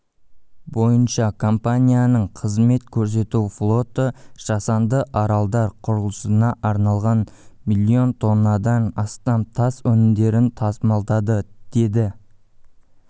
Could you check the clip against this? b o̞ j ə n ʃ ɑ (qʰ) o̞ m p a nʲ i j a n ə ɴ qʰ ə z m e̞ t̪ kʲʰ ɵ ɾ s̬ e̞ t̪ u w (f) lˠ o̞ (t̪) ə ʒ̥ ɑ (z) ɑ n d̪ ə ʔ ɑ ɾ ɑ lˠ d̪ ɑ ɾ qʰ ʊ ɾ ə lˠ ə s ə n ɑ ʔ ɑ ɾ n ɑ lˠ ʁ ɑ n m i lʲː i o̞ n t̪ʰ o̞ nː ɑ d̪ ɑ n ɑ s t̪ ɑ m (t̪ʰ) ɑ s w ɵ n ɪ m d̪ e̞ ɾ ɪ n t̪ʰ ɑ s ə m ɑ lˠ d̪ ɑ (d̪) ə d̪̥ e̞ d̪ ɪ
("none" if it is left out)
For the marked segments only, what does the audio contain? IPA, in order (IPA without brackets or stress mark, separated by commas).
kʰ, f, t̪, s, t̪ʰ, d̪